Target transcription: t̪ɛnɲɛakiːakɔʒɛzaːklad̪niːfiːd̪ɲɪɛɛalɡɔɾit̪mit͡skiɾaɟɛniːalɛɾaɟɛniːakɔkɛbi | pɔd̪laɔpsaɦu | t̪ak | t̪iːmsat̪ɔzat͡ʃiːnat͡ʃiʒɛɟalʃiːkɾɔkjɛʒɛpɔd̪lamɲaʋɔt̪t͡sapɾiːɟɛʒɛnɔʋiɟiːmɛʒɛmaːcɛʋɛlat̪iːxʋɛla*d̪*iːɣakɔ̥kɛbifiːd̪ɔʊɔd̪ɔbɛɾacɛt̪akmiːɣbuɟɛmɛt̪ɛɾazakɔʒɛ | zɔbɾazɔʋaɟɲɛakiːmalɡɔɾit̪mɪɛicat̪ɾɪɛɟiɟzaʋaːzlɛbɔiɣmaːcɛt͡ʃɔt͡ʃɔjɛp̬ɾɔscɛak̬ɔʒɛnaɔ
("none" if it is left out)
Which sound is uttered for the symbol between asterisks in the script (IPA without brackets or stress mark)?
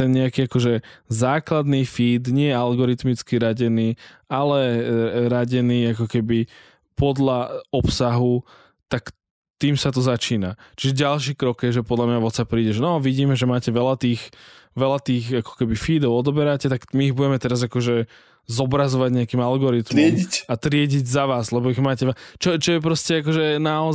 t̪